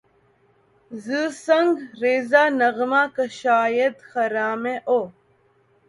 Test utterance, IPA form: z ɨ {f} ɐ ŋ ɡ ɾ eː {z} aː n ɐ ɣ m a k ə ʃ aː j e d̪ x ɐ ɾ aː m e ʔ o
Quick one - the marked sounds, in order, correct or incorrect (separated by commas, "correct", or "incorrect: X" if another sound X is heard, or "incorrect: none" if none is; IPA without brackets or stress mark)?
incorrect: s, correct